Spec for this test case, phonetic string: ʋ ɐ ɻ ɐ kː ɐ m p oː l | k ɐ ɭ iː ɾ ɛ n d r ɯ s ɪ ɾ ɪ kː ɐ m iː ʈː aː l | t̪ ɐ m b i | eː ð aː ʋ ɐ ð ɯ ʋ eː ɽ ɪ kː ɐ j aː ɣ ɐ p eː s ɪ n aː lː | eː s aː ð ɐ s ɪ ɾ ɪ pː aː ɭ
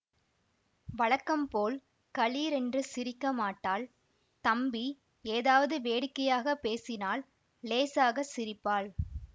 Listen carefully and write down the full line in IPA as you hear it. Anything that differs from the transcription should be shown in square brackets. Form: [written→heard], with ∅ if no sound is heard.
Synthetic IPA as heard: ʋ ɐ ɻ ɐ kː ɐ m p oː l | k ɐ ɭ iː ɾ ɛ n d r ɯ s ɪ ɾ ɪ kː ɐ m [iː→aː] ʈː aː l | t̪ ɐ m b i | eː ð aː ʋ ɐ ð ɯ ʋ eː ɽ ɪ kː ɐ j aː ɣ ɐ p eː s ɪ n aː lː | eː s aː [ð→ɣ] ɐ s ɪ ɾ ɪ pː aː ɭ

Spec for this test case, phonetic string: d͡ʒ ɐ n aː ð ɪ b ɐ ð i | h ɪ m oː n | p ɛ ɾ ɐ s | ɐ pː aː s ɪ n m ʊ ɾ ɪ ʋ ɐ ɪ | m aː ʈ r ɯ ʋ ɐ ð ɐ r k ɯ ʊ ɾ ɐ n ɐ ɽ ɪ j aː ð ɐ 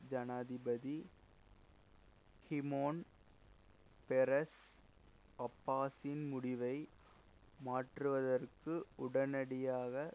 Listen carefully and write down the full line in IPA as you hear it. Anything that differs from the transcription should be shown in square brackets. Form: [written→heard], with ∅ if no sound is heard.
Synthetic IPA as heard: d͡ʒ ɐ n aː ð ɪ b ɐ ð i | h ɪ m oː n | p ɛ ɾ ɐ s | ɐ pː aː s ɪ n m ʊ [ɾ→ɽ] ɪ ʋ ɐ ɪ | m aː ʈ r ɯ ʋ ɐ ð ɐ r k ɯ ʊ [ɾ→ɽ] ɐ n ɐ ɽ ɪ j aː [ð→ɣ] ɐ

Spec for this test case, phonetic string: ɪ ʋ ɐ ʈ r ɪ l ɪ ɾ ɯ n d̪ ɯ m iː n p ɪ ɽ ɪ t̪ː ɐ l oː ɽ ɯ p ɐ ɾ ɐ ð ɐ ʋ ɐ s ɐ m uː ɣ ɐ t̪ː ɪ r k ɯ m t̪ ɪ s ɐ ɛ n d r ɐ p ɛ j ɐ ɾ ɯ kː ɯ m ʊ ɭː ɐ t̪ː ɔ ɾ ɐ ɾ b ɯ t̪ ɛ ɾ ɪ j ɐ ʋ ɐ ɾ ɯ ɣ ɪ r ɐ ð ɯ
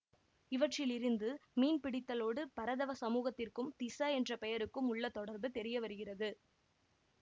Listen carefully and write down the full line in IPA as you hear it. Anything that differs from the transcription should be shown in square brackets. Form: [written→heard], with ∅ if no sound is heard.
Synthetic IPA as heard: ɪ ʋ ɐ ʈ r ɪ l ɪ ɾ ɯ n d̪ ɯ m iː n p ɪ ɽ ɪ t̪ː ɐ l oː ɽ ɯ p ɐ ɾ ɐ ð ɐ ʋ ɐ s ɐ m uː ɣ ɐ t̪ː ɪ r k ɯ m t̪ ɪ s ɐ ɛ n d r ɐ p ɛ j ɐ ɾ ɯ kː ɯ m ʊ ɭː ɐ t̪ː ɔ [ɾ→ɽ] ɐ ɾ b ɯ t̪ ɛ ɾ ɪ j ɐ ʋ ɐ ɾ ɯ ɣ ɪ r ɐ ð ɯ

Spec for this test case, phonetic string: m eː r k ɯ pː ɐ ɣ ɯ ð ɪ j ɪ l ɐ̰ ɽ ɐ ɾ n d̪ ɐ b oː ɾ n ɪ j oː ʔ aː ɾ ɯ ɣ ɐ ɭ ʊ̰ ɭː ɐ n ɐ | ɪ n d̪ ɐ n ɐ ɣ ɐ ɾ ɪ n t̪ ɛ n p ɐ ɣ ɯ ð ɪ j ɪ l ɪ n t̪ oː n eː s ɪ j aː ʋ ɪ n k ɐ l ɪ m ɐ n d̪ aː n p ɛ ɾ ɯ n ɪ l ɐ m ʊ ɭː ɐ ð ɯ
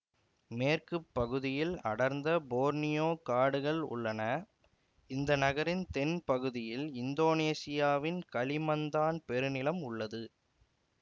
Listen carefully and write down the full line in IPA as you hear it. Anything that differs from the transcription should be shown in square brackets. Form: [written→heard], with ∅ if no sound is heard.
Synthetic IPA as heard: m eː r k ɯ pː ɐ ɣ ɯ ð ɪ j ɪ l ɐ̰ ɽ ɐ ɾ n d̪ ɐ b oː ɾ n ɪ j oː [ʔ→k] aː [ɾ→ɽ] ɯ ɣ ɐ ɭ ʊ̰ ɭː ɐ n ɐ | ɪ n d̪ ɐ n ɐ ɣ ɐ ɾ ɪ n t̪ ɛ n p ɐ ɣ ɯ ð ɪ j ɪ l ɪ n [t̪→d̪] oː n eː s ɪ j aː ʋ ɪ n k ɐ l ɪ m ɐ n d̪ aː n p ɛ ɾ ɯ n ɪ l ɐ m ʊ ɭː ɐ ð ɯ

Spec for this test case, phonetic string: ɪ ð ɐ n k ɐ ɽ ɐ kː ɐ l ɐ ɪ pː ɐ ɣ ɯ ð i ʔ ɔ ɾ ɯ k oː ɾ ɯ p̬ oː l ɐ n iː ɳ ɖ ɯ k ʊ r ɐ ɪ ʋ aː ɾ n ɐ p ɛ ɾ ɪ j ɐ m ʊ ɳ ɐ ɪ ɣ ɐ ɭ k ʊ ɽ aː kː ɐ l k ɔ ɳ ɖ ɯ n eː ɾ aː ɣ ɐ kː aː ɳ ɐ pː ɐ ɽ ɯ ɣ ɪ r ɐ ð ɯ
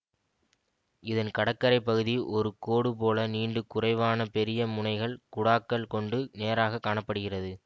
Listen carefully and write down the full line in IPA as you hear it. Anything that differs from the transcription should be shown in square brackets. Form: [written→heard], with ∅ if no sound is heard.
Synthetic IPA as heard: ɪ ð ɐ n k ɐ ɽ ɐ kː ɐ [l→ɾ] ɐ ɪ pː ɐ ɣ ɯ ð i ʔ ɔ ɾ ɯ k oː [ɾ→ɽ] ɯ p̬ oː l ɐ n iː ɳ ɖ ɯ k ʊ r ɐ ɪ ʋ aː [ɾ→∅] n ɐ p ɛ ɾ ɪ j ɐ m ʊ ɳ ɐ ɪ ɣ ɐ ɭ k ʊ ɽ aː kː ɐ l k ɔ ɳ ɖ ɯ n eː ɾ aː ɣ ɐ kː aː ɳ ɐ pː ɐ ɽ ɯ ɣ ɪ r ɐ ð ɯ

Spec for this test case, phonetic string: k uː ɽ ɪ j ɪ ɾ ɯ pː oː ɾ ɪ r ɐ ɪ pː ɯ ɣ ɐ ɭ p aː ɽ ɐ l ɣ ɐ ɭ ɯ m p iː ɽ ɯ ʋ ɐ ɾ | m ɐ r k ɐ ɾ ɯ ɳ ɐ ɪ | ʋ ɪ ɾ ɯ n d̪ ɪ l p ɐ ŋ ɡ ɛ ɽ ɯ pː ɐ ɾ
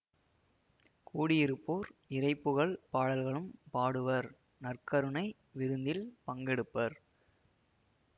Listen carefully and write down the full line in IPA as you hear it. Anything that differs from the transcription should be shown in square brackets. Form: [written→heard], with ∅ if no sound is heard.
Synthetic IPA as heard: k uː ɽ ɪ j ɪ ɾ ɯ pː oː ɾ ɪ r ɐ ɪ pː ɯ ɣ ɐ ɭ p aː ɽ ɐ l ɣ ɐ ɭ ɯ m p [iː→aː] ɽ ɯ ʋ ɐ ɾ | [m→n] ɐ r k ɐ ɾ ɯ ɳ ɐ ɪ | ʋ ɪ ɾ ɯ n d̪ ɪ l p ɐ ŋ ɡ ɛ ɽ ɯ pː ɐ ɾ

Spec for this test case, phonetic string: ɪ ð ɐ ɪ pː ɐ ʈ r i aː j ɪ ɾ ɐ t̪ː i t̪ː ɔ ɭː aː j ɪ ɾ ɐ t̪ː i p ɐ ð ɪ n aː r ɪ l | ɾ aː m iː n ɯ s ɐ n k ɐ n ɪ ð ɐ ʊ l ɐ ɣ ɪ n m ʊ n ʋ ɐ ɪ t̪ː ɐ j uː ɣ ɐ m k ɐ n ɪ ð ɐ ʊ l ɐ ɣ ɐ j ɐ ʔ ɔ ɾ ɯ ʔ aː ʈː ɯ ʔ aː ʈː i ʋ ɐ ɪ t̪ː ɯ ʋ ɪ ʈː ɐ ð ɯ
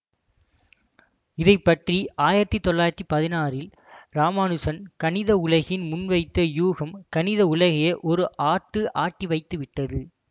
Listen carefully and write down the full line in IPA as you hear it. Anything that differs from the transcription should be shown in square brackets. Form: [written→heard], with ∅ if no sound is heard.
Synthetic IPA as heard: ɪ ð ɐ ɪ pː ɐ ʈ r i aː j ɪ ɾ ɐ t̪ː i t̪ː ɔ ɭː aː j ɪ ɾ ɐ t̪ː i p ɐ ð ɪ n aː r ɪ l | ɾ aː m [iː→aː] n ɯ s ɐ n k ɐ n ɪ ð ɐ ʊ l ɐ ɣ ɪ n m ʊ n ʋ ɐ ɪ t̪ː ɐ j uː ɣ ɐ m k ɐ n ɪ ð ɐ ʊ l ɐ ɣ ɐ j ɐ ʔ ɔ ɾ ɯ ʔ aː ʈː ɯ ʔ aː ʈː i ʋ ɐ ɪ t̪ː ɯ ʋ ɪ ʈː ɐ ð ɯ

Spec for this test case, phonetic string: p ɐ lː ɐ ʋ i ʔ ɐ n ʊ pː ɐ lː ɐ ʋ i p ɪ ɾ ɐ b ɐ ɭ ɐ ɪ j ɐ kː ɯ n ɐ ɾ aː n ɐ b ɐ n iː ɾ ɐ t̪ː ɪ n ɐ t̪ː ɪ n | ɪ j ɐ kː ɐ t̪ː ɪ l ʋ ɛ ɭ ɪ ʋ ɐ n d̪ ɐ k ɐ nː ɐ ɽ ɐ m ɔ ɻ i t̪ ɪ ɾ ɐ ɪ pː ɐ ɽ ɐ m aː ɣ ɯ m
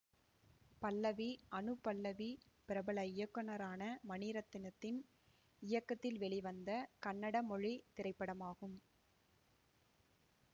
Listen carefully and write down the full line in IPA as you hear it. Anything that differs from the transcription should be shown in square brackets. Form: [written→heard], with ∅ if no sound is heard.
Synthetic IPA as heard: p ɐ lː ɐ ʋ i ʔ ɐ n [ʊ→ɯ] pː ɐ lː ɐ ʋ i p ɪ ɾ ɐ b ɐ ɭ ɐ ɪ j ɐ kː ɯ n ɐ ɾ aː n ɐ [b→m] ɐ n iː ɾ ɐ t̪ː ɪ n ɐ t̪ː ɪ n | ɪ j ɐ kː ɐ t̪ː ɪ l ʋ ɛ ɭ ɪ ʋ ɐ n d̪ ɐ k ɐ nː ɐ ɽ ɐ m ɔ ɻ i t̪ ɪ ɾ ɐ ɪ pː ɐ ɽ ɐ m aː ɣ ɯ m

